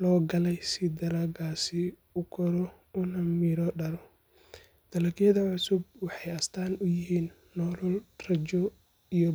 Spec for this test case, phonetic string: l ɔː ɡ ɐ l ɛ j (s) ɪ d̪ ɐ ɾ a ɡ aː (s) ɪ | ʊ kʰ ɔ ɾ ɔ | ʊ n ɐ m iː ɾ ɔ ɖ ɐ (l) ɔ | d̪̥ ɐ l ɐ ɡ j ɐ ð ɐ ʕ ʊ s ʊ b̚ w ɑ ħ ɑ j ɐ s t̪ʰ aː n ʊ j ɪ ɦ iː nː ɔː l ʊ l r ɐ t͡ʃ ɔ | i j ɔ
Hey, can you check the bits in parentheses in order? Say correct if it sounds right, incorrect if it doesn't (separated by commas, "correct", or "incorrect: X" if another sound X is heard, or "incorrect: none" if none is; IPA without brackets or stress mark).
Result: correct, correct, incorrect: ɾ